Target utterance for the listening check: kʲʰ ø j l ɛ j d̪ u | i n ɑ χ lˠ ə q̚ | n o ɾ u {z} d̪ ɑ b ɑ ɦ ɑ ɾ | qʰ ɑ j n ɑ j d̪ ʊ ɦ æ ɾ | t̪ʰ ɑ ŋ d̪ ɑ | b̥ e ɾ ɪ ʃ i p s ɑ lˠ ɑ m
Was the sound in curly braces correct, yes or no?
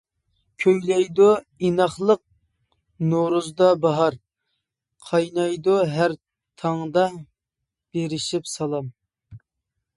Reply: yes